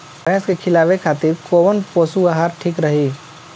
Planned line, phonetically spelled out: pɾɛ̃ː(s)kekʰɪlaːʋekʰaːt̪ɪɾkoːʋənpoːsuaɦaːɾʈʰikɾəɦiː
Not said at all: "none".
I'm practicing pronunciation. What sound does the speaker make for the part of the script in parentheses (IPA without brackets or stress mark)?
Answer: s